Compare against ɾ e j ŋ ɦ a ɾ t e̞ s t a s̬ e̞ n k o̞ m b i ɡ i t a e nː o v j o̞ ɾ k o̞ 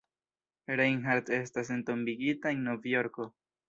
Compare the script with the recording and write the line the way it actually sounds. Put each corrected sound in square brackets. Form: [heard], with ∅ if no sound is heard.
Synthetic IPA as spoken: ɾ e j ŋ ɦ a ɾ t e̞ s t a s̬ e̞ n [t] o̞ m b i ɡ i t a e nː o v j o̞ ɾ k o̞